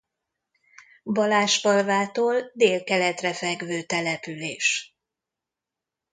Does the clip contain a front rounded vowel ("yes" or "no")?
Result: yes